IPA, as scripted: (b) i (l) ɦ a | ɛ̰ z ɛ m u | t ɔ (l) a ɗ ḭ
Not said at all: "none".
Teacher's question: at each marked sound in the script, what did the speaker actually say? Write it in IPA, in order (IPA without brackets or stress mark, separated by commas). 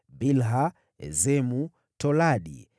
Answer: b, l, l